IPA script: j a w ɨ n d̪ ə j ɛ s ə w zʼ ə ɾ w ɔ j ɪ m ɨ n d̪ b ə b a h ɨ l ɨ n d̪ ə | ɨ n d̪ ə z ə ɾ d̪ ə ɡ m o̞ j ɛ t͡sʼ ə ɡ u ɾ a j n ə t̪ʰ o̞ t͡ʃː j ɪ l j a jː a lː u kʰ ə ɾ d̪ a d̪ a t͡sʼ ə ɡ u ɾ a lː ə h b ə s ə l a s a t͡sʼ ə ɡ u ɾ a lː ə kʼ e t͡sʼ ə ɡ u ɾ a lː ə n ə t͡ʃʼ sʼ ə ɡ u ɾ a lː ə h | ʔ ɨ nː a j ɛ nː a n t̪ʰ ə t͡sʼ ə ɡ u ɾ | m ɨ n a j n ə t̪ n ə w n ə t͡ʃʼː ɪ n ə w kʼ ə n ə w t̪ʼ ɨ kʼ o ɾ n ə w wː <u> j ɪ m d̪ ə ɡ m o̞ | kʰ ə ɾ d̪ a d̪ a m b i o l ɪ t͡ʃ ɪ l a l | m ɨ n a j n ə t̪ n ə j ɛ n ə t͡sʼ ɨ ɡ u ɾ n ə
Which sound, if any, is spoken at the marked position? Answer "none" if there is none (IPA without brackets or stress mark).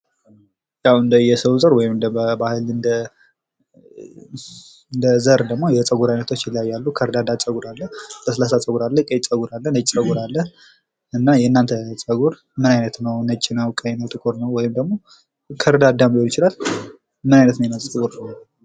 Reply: ɔ